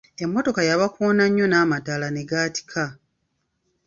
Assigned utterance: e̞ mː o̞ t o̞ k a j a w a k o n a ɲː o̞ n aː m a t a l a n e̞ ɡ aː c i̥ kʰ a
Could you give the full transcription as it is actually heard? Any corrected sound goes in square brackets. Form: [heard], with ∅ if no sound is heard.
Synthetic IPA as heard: e̞ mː o̞ t o̞ k a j a [β] a k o n a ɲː o̞ n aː m a t a l a n e̞ ɡ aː [t] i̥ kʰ a

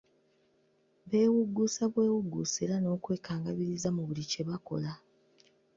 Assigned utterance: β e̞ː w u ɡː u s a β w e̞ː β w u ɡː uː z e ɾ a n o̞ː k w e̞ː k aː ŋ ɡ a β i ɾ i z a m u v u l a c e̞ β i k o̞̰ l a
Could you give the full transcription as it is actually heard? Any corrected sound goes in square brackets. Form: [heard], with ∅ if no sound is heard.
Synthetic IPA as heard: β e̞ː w u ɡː u s a β w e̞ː [∅] w u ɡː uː [s] e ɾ a n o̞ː k w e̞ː k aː ŋ ɡ a β i ɾ i z a m u [β] u l [i] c e̞ β [a] k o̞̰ l a

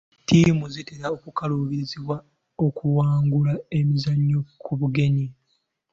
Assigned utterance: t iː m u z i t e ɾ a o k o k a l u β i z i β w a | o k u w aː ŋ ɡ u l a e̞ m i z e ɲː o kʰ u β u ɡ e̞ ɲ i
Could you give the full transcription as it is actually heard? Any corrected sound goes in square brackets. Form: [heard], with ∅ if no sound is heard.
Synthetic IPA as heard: t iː m u z i t e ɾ a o k [u] k a l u β i z i β w a | o k u w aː ŋ ɡ u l a e̞ m i z [a] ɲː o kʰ u β u ɡ e̞ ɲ i

